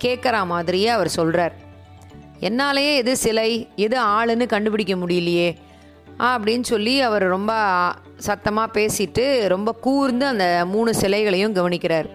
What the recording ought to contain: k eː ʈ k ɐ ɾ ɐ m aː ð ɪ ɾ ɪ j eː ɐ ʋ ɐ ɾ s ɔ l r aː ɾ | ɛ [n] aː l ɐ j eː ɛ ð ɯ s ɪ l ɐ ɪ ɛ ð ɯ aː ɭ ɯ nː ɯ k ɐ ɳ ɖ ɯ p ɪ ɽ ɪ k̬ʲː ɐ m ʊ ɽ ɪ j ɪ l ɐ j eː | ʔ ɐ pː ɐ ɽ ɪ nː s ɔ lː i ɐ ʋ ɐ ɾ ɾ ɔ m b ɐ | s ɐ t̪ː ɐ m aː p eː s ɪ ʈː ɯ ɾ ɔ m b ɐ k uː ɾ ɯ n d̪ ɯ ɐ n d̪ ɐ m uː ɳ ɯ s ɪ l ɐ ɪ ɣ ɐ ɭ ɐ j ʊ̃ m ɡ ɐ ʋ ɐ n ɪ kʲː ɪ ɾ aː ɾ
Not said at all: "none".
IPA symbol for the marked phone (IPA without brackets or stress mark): nː